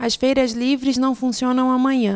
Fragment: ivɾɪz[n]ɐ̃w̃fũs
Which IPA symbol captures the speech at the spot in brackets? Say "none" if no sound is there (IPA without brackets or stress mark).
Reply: n